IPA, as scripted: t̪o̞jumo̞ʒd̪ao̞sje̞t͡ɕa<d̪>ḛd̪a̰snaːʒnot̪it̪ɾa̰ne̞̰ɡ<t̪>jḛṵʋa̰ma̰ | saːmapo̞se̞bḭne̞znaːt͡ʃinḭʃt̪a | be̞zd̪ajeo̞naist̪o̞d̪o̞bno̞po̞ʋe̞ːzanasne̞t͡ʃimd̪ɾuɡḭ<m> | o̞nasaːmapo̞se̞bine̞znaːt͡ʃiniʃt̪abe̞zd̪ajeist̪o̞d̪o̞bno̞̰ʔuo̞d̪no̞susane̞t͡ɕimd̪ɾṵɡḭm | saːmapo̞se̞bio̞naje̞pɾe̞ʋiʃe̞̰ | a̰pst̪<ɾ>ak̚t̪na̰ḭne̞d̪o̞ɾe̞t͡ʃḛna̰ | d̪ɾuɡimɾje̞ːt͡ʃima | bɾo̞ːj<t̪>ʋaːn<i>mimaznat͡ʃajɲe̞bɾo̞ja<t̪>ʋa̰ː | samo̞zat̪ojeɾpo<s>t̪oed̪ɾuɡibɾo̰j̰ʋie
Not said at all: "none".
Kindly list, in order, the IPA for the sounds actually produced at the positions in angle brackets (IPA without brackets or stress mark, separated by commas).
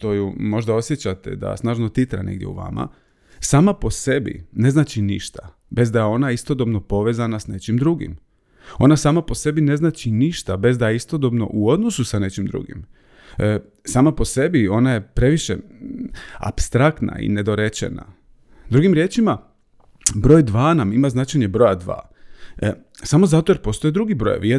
t̪, d̪, m, ɾ, d̪, a, d̪, s